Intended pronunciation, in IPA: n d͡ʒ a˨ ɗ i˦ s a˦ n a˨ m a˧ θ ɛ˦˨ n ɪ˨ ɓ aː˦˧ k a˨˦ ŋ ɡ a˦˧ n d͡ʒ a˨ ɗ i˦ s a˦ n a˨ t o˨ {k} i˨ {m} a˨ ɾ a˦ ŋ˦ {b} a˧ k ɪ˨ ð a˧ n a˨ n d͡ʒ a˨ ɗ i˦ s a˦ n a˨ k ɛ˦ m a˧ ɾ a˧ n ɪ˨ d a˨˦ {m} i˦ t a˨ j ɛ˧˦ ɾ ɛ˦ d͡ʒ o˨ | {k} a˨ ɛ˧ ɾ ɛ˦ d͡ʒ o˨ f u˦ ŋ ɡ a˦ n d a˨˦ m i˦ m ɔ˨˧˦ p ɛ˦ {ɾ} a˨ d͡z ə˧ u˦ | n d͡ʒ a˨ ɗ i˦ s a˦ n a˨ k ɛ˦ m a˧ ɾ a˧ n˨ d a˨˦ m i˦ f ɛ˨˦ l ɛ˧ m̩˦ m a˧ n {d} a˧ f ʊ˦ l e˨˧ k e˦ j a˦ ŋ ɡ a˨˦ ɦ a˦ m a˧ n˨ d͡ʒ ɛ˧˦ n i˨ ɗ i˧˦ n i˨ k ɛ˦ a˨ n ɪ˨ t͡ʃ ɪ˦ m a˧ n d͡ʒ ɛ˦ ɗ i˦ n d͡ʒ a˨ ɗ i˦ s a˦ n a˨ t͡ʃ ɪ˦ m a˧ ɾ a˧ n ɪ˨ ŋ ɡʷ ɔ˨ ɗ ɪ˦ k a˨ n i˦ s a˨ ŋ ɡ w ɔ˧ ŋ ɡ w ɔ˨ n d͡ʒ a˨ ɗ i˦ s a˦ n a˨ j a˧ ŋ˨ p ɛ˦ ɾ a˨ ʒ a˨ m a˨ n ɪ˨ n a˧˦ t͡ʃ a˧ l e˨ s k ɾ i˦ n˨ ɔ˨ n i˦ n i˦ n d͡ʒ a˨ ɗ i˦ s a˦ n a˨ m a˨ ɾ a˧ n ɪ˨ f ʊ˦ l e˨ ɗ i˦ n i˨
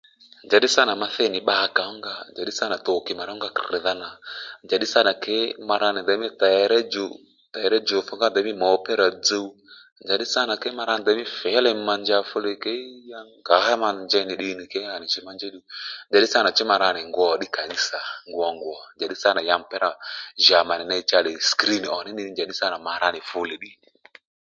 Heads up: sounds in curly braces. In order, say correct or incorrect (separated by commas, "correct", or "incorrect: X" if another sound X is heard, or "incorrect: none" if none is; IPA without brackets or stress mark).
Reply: correct, correct, incorrect: ɡ, correct, incorrect: t, correct, incorrect: d͡ʒ